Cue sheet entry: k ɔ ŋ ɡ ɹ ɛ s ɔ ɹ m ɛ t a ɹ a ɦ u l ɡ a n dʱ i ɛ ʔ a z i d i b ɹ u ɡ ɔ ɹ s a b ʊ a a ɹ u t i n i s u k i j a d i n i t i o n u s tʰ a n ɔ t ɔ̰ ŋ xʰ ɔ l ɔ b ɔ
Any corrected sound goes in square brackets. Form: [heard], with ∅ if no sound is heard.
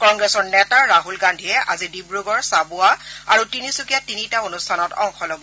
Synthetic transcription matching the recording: k ɔ ŋ ɡ ɹ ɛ s ɔ ɹ [n] ɛ t a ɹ a ɦ u l ɡ a n dʱ i ɛ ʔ a z i d i b ɹ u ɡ ɔ ɹ s a b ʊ a a ɹ u t i n i s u k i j a [t] i n i t [a] o n u s tʰ a n ɔ t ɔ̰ ŋ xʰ ɔ l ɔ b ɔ